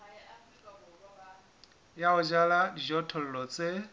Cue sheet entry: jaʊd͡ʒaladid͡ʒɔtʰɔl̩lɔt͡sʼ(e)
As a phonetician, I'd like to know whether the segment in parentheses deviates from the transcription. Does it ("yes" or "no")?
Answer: no